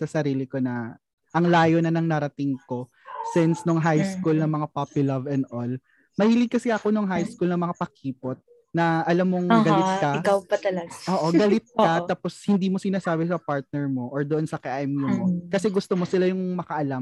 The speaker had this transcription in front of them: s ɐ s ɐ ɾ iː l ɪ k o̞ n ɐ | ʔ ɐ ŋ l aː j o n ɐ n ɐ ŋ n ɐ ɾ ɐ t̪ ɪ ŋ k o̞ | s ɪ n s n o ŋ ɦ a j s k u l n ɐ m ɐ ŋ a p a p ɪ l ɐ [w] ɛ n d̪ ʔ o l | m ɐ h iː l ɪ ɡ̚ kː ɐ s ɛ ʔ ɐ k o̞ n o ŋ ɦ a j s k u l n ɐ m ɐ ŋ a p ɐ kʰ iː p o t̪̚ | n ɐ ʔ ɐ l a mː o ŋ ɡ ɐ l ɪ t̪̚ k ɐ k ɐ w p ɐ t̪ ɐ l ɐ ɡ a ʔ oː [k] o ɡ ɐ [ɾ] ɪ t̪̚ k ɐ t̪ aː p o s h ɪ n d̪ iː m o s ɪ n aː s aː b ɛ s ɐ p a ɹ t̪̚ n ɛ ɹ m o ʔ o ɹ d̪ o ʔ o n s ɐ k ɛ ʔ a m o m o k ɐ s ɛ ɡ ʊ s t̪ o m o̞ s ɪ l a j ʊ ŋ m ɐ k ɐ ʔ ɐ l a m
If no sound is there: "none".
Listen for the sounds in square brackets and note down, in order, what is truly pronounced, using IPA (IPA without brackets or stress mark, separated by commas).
v, ʔ, l